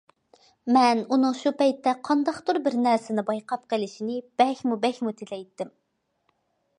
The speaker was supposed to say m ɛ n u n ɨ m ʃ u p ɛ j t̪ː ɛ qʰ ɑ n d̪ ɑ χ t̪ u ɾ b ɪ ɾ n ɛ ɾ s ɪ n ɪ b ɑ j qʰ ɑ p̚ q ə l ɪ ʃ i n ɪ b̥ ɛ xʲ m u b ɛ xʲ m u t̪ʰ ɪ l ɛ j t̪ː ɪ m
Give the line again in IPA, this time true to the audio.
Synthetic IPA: m ɛ n u n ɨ ŋ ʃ u p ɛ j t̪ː ɛ qʰ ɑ n d̪ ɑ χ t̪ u ɾ b ɪ ɾ n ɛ ɾ s ɪ n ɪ b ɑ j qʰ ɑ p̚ q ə l ɪ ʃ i n ɪ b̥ ɛ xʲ m u b ɛ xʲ m u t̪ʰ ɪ l ɛ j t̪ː ɪ m